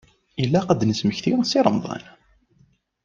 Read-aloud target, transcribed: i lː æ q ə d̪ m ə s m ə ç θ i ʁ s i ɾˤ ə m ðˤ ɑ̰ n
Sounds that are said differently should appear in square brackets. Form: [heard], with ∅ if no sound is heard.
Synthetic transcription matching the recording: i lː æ q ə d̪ [n] ə s m ə ç θ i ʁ s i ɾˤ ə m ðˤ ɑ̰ n